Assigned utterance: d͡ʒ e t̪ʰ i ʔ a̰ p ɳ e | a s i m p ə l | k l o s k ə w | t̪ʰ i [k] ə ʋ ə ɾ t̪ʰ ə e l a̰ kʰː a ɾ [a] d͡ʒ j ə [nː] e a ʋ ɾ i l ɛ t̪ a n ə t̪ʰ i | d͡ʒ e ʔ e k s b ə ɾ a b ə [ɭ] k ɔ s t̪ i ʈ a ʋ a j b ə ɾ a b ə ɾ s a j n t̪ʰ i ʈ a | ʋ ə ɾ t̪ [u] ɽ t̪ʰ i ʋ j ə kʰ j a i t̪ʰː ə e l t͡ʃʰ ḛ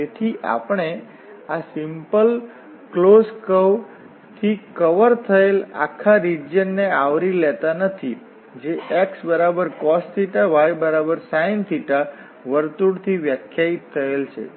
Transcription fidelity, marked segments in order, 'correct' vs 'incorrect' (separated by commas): correct, incorrect, correct, incorrect, correct